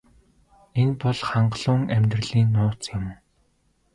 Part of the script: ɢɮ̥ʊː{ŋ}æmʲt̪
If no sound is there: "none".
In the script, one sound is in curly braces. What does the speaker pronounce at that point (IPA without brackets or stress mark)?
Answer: ŋ